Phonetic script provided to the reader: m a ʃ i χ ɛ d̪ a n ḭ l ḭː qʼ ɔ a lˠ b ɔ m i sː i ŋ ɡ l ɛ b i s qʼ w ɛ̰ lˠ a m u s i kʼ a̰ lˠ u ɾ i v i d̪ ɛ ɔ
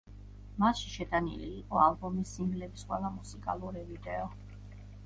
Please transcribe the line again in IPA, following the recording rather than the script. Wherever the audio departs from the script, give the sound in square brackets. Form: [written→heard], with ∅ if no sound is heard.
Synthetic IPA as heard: m a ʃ i [χ→ʃ] ɛ d̪ a n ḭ l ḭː qʼ ɔ a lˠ b ɔ m i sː i ŋ ɡ l ɛ b i s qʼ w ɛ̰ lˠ a m u s i kʼ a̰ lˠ u ɾ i v i d̪ ɛ ɔ